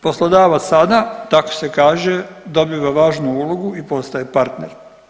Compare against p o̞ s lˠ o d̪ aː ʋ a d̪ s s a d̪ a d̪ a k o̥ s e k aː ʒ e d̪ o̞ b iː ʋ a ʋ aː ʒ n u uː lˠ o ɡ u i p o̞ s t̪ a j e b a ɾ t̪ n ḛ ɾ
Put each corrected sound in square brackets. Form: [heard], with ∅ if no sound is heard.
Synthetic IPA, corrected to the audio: p o̞ s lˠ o d̪ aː ʋ a [t̪] s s a d̪ a [t̪] a k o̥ s e k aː ʒ e d̪ o̞ b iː ʋ a ʋ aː ʒ n u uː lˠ o ɡ u i p o̞ s t̪ a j e [p] a ɾ t̪ n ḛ ɾ

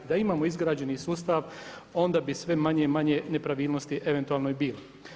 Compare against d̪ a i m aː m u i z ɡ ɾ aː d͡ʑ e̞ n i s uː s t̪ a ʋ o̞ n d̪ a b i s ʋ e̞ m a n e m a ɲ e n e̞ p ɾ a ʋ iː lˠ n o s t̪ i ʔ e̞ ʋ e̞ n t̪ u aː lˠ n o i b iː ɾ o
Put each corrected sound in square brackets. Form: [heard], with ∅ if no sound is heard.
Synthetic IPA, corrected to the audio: d̪ a i m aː m [o] i z ɡ ɾ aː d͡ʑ e̞ n i s uː s t̪ a ʋ o̞ n d̪ a b i s ʋ e̞ m a [ɲ] e m a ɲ e n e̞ p ɾ a ʋ iː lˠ n o s t̪ i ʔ e̞ ʋ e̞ n t̪ u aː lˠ n o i b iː [l] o

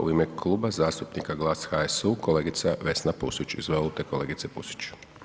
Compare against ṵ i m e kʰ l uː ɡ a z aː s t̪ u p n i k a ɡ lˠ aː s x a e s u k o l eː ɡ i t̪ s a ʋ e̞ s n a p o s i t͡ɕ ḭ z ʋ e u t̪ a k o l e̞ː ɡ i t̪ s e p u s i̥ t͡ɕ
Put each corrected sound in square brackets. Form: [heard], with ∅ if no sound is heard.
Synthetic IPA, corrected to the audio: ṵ i m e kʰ l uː [b] a z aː s t̪ u p n i k a ɡ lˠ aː s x a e s u k o l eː ɡ i t̪ s a ʋ e̞ s n a p [u] s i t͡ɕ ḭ z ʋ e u t̪ [e] k o l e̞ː ɡ i t̪ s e p u s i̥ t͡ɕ

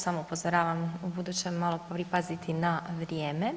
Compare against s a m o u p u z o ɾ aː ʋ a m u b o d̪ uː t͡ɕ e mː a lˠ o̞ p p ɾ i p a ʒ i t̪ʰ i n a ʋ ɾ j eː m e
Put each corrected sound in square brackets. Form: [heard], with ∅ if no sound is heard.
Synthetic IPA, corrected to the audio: s a m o u p [o] z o ɾ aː ʋ a m u b [u] d̪ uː t͡ɕ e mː a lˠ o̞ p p ɾ i p a [z] i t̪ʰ i n a ʋ ɾ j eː m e

